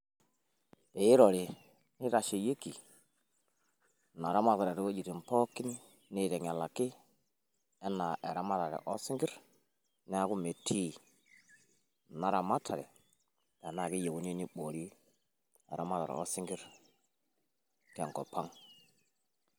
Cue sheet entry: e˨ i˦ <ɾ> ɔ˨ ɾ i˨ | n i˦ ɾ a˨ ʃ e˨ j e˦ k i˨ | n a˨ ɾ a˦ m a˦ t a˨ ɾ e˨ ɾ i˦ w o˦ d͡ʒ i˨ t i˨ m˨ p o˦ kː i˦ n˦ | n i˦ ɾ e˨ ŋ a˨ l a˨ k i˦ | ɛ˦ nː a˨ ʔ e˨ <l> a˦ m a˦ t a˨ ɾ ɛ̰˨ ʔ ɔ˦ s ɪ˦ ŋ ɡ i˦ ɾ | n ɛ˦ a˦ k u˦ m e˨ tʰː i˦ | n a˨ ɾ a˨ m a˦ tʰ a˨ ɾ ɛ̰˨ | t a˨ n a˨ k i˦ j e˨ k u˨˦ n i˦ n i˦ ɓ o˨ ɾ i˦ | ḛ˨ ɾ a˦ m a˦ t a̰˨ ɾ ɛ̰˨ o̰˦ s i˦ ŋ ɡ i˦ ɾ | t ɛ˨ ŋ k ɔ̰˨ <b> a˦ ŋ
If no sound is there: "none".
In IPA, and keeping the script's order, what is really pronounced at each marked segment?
ɾ, ɾ, p

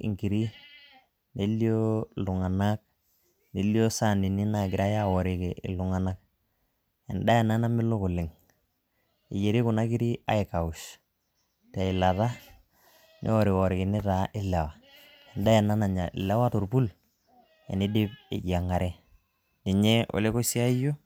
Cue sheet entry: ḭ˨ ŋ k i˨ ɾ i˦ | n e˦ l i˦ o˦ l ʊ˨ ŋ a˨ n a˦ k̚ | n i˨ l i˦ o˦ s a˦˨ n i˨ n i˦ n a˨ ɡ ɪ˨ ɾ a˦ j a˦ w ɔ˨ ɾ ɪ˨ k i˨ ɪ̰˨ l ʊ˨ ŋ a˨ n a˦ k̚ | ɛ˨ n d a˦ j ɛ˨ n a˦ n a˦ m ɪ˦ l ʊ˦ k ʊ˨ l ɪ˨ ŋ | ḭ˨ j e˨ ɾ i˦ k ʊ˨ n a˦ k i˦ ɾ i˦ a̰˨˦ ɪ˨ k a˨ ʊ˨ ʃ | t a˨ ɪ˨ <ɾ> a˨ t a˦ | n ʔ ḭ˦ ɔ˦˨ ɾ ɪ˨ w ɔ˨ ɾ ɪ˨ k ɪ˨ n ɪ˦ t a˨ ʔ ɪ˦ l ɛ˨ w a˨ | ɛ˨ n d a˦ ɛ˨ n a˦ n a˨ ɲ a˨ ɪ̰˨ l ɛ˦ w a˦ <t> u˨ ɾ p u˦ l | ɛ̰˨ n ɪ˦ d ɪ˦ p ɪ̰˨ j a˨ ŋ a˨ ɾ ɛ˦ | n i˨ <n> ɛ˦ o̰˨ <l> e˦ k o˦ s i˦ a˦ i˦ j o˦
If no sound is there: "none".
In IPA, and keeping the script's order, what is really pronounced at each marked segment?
l, t, ɲ, l

